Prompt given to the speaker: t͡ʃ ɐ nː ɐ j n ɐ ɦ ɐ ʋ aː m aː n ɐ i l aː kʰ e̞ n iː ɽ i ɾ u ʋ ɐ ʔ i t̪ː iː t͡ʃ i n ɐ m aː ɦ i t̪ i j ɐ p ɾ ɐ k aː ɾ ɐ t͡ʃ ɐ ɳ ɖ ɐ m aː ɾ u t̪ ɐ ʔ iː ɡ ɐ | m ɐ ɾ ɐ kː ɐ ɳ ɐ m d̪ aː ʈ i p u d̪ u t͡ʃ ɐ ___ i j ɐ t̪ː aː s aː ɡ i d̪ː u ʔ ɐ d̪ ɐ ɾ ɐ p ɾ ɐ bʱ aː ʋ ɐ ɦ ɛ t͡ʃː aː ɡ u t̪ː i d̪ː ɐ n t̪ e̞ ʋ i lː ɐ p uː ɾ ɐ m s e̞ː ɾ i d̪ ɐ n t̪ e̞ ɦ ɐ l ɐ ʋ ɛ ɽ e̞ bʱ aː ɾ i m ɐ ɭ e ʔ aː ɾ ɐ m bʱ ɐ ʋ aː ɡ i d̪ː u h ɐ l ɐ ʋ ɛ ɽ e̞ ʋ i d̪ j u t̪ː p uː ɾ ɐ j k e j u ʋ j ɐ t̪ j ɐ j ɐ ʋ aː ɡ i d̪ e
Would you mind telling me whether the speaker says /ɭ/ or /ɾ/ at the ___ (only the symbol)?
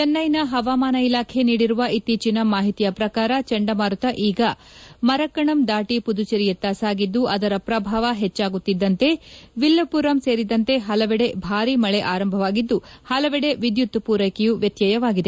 ɾ